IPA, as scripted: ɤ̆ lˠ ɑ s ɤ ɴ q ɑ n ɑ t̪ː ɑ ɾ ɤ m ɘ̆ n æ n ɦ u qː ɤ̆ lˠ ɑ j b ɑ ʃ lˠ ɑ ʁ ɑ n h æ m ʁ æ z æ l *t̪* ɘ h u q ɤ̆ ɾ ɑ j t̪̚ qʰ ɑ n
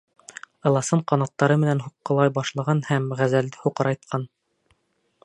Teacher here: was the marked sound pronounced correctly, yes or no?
no